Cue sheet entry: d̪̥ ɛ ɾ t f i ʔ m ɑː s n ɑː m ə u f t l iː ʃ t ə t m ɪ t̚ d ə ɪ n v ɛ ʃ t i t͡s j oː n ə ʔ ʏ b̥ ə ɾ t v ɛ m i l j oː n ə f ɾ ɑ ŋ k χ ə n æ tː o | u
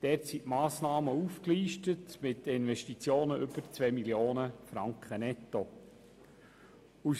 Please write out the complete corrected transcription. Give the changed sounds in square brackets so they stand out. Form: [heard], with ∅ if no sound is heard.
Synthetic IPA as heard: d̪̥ ɛ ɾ t [s] i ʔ m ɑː s n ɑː m ə u f [k] l iː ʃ t ə t m ɪ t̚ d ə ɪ n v ɛ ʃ t i t͡s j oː n ə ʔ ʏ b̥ ə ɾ [t͡s] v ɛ m i l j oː n ə f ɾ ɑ ŋ k χ ə n [ɛ] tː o | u

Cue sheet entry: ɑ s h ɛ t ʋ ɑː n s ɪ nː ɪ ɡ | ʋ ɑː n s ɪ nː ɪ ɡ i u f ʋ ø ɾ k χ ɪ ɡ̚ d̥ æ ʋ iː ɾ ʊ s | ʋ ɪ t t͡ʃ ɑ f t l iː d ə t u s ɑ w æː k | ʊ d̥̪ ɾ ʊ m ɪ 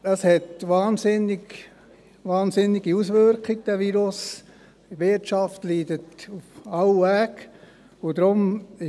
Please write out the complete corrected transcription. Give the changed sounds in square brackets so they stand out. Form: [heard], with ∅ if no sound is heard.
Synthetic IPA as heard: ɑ s h ɛ t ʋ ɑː n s ɪ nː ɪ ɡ | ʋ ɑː n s ɪ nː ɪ ɡ i u [s] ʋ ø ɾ k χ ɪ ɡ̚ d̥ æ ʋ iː ɾ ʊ s | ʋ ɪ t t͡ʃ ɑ f t l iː d ə t u [f] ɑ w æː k | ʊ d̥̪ ɾ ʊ m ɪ

